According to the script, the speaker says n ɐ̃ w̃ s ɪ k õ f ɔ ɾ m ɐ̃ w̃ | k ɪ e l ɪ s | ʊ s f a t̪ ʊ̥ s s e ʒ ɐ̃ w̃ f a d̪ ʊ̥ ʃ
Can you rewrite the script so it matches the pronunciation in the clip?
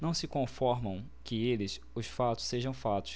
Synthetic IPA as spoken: n ɐ̃ w̃ s ɪ k õ f ɔ ɾ m ɐ̃ w̃ | k ɪ e l ɪ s | ʊ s f a t̪ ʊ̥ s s e ʒ ɐ̃ w̃ f a t̪ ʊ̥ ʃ

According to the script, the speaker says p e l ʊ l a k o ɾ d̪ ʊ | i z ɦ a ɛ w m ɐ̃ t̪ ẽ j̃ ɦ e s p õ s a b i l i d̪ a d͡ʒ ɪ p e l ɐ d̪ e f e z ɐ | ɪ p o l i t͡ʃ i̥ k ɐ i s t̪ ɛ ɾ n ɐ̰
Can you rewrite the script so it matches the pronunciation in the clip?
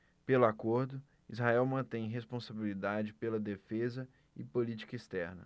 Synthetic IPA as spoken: p e l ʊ a k o ɾ d̪ ʊ | i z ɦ a ɛ w m ɐ̃ t̪ ẽ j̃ ɦ e s p õ s a b i l i d̪ a d͡ʒ ɪ p e l ɐ d̪ e f e z ɐ | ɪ p o l i t͡ʃ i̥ k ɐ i s t̪ ɛ ɾ n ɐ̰

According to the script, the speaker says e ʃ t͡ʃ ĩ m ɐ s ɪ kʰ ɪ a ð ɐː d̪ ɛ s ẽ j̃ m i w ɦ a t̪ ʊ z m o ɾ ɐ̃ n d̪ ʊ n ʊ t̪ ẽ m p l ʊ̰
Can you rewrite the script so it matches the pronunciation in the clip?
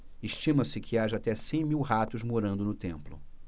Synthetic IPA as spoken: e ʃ t͡ʃ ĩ m ɐ s ɪ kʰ ɪ a ʒ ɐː t̪ ɛ s ẽ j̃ m i w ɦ a t̪ ʊ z m o ɾ ɐ̃ n d̪ ʊ n ʊ t̪ ẽ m p l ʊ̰

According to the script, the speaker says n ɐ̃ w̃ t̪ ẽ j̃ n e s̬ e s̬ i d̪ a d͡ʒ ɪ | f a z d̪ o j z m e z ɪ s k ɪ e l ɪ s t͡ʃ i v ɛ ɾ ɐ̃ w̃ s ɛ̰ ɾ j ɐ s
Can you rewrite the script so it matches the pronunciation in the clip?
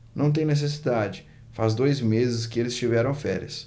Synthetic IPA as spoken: n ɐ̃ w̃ t̪ ẽ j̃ n e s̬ e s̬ i d̪ a d͡ʒ ɪ | f a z d̪ o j z m e z ɪ s k ɪ e l ɪ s t͡ʃ i v ɛ ɾ ɐ̃ w̃ f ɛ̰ ɾ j ɐ s

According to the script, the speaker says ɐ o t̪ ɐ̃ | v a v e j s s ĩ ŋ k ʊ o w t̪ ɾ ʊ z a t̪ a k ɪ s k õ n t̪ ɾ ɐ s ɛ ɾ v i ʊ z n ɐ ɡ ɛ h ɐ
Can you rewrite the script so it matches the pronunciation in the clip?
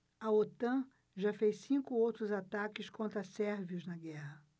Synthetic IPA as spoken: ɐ o t̪ ɐ̃ | ʒ a f e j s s ĩ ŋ k ʊ o w t̪ ɾ ʊ z a t̪ a k ɪ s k õ n t̪ ɾ ɐ s ɛ ɾ v i ʊ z n ɐ ɡ ɛ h ɐ

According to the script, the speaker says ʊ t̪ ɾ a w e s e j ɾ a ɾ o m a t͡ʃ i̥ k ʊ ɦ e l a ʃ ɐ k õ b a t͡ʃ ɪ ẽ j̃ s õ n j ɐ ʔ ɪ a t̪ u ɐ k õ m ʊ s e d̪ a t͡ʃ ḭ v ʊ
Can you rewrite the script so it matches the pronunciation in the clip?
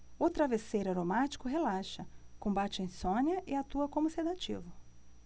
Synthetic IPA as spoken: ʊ t̪ ɾ a v e s e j ɾ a ɾ o m a t͡ʃ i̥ k ʊ ɦ e l a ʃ ɐ k õ b a t͡ʃ ɪ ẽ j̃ s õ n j ɐ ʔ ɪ a t̪ u ɐ k õ m ʊ s e d̪ a t͡ʃ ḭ v ʊ

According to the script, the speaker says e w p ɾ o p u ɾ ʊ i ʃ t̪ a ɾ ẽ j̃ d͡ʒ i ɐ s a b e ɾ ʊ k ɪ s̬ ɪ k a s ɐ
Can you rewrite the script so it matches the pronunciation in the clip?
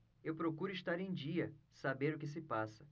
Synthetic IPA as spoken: e w p ɾ o k u ɾ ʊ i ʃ t̪ a ɾ ẽ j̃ d͡ʒ i ɐ s a b e ɾ ʊ k ɪ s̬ ɪ p a s ɐ

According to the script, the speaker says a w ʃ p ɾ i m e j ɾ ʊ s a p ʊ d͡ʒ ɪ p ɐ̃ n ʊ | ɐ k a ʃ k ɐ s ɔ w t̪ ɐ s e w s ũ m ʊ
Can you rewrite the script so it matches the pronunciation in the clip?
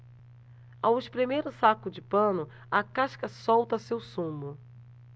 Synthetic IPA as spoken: a w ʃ p ɾ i m e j ɾ ʊ s a k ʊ d͡ʒ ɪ p ɐ̃ n ʊ | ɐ k a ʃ k ɐ s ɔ w t̪ ɐ s e w s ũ m ʊ

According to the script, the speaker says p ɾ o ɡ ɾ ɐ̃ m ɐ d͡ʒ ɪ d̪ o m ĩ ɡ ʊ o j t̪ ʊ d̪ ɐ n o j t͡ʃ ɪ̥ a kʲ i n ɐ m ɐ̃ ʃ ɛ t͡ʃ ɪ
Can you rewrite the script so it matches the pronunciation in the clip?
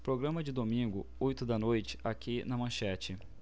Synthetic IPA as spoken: p ɾ o ɡ ɾ ɐ̃ m ɐ d͡ʒ ɪ d̪ o m ĩ ɡ ʊ o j t̪ ʊ d̪ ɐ n o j t͡ʃ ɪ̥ a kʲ i n ɐ m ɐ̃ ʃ ɛ t͡ʃ ɪ

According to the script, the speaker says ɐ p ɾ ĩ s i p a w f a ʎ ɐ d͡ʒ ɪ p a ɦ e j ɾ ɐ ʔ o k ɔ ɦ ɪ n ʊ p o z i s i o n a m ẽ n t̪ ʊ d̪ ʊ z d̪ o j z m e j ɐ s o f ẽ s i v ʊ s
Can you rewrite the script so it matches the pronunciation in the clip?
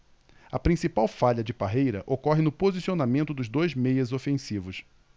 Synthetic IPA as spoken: ɐ p ɾ ĩ s i p a w f a ʎ ɐ d͡ʒ ɪ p a ɦ e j ɾ ɐ ʔ o k ɔ ɦ ɪ n ʊ p o z i s i o n a m ẽ n t̪ ʊ d̪ ʊ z d̪ o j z m e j ɐ z o f ẽ s i v ʊ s

